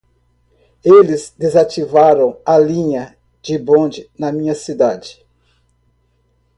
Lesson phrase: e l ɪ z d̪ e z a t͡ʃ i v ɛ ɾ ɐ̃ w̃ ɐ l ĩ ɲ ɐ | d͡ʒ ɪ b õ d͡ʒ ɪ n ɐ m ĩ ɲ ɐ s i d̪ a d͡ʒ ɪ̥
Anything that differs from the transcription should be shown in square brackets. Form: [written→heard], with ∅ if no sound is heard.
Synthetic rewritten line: e l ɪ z d̪ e z a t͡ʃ i v [ɛ→a] ɾ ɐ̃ w̃ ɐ l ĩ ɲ ɐ | d͡ʒ ɪ b õ d͡ʒ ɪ n ɐ m ĩ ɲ ɐ s i d̪ a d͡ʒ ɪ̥